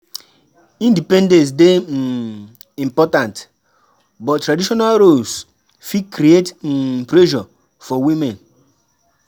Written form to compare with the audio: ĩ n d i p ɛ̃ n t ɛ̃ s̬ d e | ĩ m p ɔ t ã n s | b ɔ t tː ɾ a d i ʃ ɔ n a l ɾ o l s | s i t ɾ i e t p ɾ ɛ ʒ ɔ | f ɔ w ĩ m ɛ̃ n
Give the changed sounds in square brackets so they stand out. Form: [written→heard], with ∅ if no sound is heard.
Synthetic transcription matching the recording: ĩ n d i p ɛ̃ n [t→d] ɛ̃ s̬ d e | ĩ m p ɔ t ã n [s→t] | b ɔ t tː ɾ a d i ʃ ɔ n a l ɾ o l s | [s→f] i [t→k] ɾ i e t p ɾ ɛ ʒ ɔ | f ɔ w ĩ m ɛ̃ n